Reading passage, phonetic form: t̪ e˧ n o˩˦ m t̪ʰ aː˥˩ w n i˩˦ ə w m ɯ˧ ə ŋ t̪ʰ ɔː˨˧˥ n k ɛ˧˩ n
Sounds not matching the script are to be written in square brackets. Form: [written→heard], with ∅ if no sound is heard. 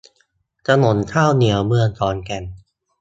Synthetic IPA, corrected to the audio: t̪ [e˧→a˧] n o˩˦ [m→n] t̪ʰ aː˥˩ w n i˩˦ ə w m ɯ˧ ə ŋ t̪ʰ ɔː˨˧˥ n k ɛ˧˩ n

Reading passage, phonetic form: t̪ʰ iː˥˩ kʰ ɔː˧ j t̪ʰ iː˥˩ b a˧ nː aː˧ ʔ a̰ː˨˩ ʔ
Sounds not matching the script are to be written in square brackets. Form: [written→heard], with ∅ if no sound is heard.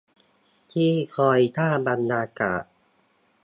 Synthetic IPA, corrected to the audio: t̪ʰ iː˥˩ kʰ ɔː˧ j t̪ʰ [iː˥˩→aː˥˩] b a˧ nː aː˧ [ʔ→k] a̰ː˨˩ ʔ

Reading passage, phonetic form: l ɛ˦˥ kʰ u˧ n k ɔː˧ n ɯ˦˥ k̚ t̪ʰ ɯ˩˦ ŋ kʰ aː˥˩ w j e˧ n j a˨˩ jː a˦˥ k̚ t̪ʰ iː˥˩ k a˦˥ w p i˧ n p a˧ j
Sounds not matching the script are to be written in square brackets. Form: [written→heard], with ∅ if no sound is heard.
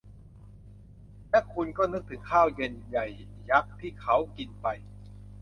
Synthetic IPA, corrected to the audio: l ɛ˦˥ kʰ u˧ n k [ɔː˧→ɔː˥˩] n ɯ˦˥ k̚ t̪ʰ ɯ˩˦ ŋ kʰ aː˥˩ w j e˧ n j a˨˩ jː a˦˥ k̚ t̪ʰ iː˥˩ [k→kʰ] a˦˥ w [p→k] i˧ n p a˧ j

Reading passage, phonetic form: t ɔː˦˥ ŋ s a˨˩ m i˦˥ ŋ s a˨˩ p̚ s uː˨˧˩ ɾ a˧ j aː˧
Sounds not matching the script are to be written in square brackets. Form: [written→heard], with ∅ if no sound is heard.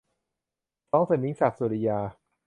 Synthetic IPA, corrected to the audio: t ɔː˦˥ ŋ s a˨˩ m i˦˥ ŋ s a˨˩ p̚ s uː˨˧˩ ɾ [a˧→i˧] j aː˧

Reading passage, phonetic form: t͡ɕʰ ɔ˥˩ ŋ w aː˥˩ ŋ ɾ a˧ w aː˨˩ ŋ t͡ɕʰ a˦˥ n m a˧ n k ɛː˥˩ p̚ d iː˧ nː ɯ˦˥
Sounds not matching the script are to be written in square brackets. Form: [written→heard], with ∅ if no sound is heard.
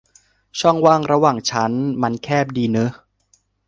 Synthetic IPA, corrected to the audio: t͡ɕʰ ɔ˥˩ ŋ w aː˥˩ ŋ ɾ a˧ w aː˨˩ ŋ t͡ɕʰ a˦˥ n m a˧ n [k→kʰ] ɛː˥˩ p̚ d iː˧ [nː→n] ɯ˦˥

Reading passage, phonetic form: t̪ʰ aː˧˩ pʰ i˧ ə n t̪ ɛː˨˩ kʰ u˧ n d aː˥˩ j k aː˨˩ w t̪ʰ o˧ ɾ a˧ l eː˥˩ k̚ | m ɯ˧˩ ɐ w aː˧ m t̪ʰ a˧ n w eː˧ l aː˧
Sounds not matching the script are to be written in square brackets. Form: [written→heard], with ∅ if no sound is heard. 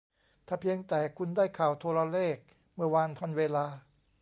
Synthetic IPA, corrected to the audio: t̪ʰ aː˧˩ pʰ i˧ ə [n→ŋ] t̪ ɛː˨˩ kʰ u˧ n d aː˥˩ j [k→kʰ] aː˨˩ w t̪ʰ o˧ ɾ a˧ l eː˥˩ k̚ | m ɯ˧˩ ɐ w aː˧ [m→n] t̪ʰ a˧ n w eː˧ l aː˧

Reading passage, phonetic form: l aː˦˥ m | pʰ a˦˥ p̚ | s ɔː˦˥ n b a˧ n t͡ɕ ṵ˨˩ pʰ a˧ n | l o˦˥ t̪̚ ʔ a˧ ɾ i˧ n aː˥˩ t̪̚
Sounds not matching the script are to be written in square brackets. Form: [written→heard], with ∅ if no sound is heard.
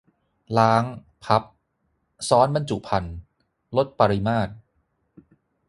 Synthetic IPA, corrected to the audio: l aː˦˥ [m→ŋ] | pʰ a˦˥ p̚ | s ɔː˦˥ n b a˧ n t͡ɕ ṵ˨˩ pʰ a˧ n | l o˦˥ t̪̚ [ʔ→p] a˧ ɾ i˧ [n→m] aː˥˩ t̪̚

